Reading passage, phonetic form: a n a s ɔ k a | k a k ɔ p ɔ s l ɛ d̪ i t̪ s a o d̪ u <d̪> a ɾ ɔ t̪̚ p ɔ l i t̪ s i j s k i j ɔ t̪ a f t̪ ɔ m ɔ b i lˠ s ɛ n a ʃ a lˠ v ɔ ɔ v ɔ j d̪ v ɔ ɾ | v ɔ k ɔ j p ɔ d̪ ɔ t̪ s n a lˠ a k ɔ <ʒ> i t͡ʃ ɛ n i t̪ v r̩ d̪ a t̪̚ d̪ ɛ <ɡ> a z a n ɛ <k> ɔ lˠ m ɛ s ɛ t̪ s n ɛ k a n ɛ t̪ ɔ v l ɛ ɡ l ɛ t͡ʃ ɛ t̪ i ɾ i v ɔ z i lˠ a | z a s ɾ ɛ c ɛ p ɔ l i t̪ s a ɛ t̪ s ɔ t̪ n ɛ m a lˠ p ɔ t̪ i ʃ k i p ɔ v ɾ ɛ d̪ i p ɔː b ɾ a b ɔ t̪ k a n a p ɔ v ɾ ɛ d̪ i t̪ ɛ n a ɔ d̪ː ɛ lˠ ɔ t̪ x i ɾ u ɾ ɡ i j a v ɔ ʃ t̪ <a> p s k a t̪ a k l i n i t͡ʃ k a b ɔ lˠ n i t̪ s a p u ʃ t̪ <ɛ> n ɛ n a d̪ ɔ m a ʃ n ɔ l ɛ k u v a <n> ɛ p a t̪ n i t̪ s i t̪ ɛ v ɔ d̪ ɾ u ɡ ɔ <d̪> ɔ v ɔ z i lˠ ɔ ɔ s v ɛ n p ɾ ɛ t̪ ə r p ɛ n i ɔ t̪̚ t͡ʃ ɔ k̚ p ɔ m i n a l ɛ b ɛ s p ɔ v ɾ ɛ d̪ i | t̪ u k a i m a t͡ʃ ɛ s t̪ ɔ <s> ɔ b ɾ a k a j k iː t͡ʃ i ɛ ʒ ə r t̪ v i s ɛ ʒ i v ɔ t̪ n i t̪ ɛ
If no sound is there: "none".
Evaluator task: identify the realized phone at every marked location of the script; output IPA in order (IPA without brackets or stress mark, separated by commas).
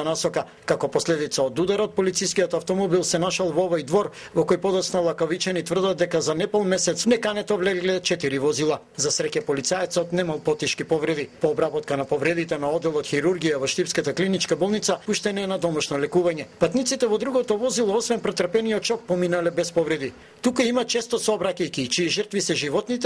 d̪, v, k, p, i, ɛ, ɲ, t̪, s